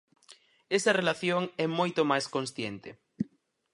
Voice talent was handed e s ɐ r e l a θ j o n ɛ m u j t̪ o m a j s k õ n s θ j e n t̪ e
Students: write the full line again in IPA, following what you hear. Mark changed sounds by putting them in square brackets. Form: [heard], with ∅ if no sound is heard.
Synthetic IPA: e s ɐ r e l a θ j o [ŋ] ɛ m [o] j t̪ o m a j s k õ n s θ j e n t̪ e